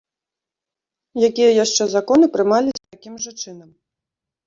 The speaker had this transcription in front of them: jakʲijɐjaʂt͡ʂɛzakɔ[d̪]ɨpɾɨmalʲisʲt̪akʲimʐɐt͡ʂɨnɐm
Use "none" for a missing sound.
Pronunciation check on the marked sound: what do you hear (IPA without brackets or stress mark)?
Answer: n̪